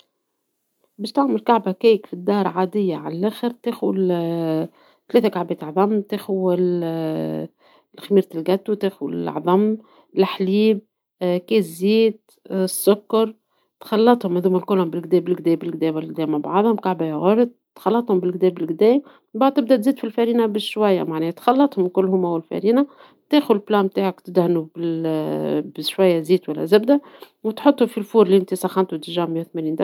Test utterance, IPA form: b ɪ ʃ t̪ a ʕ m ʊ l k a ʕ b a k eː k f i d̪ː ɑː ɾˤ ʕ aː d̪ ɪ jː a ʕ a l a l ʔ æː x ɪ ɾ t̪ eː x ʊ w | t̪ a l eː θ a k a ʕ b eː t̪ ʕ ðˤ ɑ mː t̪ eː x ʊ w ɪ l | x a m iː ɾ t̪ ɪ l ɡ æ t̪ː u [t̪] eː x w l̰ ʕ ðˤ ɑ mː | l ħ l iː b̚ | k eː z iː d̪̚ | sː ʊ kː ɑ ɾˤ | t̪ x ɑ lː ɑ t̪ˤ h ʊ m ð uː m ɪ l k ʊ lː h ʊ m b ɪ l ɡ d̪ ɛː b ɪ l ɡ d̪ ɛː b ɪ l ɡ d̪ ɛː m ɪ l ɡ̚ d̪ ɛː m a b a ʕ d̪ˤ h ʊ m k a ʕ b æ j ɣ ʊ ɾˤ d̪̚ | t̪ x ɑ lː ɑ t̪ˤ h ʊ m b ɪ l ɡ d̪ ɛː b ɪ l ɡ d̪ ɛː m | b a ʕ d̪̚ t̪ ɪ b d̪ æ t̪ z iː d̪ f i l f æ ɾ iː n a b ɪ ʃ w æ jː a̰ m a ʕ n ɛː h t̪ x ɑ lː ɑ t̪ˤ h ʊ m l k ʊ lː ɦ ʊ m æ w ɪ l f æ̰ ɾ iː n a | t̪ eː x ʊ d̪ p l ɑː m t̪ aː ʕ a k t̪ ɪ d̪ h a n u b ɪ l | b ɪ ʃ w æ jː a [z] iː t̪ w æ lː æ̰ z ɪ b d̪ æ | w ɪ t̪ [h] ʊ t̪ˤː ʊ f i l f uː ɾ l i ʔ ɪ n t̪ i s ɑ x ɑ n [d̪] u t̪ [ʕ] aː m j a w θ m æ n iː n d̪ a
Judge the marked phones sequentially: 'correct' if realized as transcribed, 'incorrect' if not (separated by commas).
correct, correct, incorrect, incorrect, incorrect